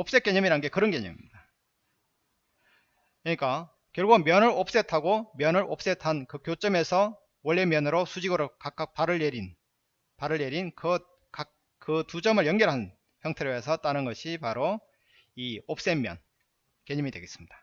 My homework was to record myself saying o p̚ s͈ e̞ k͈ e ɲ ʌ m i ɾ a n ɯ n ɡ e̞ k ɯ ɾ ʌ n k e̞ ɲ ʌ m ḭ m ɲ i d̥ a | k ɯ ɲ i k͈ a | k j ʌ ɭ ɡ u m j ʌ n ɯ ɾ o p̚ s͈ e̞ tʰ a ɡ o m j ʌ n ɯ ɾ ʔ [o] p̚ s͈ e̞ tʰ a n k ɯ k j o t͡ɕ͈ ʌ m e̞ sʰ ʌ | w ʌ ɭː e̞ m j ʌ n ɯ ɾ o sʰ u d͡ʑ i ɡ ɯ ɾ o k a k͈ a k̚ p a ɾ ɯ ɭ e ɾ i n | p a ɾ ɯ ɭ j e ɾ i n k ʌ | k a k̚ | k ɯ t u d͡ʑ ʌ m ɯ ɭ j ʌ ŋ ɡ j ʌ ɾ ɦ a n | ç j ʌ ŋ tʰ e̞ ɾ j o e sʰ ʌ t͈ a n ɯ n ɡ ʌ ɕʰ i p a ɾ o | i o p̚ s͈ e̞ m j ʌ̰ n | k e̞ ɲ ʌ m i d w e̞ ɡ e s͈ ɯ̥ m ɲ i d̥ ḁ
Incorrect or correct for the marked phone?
correct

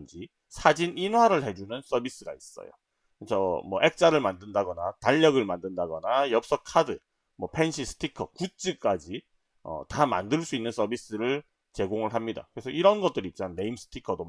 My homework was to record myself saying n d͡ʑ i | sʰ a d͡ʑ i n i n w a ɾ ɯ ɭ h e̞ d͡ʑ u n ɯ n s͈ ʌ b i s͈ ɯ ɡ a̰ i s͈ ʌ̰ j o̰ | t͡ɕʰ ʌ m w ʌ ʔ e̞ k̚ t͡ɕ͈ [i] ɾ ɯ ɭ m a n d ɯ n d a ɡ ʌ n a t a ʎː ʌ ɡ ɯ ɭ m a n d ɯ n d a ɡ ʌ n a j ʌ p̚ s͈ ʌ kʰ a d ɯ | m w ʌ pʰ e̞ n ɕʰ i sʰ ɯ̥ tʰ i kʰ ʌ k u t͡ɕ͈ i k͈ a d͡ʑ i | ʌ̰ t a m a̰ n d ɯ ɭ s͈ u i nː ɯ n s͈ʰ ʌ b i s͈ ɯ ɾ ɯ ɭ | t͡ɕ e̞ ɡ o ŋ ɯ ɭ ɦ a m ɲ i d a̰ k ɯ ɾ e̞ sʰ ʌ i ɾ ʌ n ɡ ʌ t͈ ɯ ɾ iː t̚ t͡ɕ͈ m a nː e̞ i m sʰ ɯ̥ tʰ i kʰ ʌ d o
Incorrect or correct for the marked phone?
incorrect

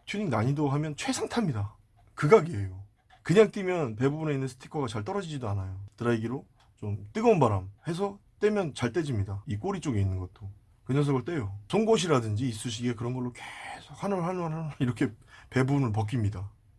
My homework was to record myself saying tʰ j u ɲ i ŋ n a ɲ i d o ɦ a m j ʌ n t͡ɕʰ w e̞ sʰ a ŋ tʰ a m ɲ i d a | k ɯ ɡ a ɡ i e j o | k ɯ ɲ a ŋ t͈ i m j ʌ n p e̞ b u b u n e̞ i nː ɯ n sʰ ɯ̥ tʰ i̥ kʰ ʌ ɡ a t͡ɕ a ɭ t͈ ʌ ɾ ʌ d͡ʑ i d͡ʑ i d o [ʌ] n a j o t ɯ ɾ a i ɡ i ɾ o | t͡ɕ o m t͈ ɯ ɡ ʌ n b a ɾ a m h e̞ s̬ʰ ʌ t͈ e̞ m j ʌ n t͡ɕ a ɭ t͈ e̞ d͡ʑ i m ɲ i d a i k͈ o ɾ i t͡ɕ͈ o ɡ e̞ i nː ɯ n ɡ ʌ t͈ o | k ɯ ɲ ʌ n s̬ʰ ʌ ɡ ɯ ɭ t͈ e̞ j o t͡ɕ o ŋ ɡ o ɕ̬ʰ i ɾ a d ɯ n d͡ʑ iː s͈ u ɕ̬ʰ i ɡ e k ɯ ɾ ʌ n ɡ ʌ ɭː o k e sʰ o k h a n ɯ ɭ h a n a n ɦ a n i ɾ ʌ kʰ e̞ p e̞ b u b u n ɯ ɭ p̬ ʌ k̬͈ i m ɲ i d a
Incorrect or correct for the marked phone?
incorrect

